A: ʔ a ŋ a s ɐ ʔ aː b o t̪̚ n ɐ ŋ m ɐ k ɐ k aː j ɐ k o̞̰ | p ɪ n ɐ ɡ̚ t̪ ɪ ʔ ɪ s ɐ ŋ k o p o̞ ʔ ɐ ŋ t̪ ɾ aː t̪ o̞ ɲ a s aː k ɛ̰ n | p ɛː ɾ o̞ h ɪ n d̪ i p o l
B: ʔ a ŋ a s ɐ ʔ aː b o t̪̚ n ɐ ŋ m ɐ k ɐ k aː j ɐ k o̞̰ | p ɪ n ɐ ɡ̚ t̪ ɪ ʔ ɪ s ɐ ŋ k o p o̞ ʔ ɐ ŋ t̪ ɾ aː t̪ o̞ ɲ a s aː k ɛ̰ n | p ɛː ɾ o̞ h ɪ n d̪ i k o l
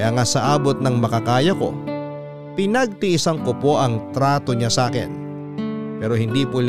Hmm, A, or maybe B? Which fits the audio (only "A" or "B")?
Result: A